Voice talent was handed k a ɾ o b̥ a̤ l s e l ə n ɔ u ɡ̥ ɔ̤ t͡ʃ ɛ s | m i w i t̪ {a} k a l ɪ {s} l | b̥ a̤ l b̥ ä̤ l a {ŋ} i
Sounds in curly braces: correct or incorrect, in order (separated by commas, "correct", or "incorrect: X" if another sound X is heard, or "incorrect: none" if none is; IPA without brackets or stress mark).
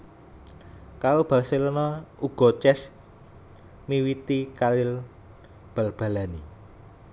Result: incorrect: i, incorrect: none, incorrect: n